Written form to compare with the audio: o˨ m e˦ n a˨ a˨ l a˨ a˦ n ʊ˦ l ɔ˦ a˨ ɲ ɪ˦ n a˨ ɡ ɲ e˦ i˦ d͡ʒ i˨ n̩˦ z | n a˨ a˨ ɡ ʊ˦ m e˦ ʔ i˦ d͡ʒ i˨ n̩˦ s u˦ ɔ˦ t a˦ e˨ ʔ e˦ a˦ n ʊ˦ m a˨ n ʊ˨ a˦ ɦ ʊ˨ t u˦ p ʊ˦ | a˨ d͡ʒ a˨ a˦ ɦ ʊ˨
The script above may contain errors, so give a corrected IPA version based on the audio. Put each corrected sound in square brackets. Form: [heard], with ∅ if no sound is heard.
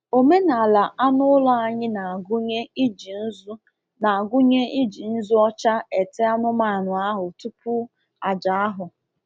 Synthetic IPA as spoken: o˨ m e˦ n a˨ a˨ l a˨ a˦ n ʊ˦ l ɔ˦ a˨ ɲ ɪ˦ n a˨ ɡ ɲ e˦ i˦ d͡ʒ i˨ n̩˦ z | n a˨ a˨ ɡ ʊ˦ [ɲ] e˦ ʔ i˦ d͡ʒ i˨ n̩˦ [z] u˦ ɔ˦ [t͡ʃ] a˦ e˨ [t] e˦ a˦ n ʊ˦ m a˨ n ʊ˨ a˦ ɦ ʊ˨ t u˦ p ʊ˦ | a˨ d͡ʒ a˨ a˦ ɦ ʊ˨